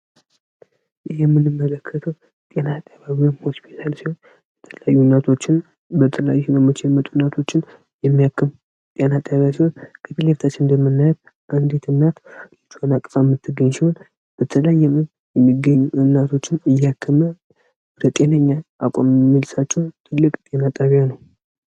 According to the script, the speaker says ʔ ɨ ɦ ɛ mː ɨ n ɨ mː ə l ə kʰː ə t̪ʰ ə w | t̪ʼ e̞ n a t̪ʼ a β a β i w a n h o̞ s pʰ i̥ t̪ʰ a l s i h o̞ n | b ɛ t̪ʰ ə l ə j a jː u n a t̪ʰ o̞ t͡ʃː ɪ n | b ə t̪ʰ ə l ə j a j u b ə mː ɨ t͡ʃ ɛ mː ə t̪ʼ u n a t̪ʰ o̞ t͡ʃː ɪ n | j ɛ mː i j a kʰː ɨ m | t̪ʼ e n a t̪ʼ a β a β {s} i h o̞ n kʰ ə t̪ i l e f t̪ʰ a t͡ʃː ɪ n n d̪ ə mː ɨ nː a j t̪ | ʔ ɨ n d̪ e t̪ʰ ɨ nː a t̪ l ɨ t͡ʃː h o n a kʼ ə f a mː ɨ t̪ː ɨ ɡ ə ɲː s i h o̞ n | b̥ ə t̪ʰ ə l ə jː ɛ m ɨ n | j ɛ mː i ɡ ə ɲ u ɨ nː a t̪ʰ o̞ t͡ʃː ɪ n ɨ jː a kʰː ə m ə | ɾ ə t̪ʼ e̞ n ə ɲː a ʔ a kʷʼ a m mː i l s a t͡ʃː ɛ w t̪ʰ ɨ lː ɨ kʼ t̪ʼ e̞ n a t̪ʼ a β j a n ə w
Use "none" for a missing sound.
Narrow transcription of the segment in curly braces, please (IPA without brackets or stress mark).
s